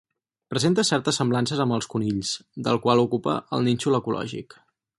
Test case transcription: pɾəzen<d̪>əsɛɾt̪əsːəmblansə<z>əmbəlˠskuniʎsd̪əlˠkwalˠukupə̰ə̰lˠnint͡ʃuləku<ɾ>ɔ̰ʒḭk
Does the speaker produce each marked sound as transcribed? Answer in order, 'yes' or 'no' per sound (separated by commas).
no, yes, no